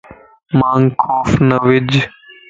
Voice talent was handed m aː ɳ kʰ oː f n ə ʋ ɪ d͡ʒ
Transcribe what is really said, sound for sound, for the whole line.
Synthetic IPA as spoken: m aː ŋ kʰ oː f n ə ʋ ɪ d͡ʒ